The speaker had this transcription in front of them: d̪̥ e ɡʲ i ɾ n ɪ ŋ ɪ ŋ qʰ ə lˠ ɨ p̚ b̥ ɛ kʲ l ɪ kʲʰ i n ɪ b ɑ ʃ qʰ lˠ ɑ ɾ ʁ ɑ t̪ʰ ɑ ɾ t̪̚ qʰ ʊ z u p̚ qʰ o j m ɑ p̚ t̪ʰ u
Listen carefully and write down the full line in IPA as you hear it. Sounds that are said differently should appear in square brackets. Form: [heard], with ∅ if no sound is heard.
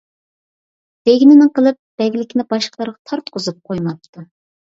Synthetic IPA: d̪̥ e ɡʲ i [∅] n ɪ [n] ɪ ŋ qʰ ə lˠ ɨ p̚ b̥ ɛ [ɡʲ] l ɪ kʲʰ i n ɪ b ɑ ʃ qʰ lˠ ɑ ɾ ʁ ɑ t̪ʰ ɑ ɾ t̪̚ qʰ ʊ z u p̚ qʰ o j m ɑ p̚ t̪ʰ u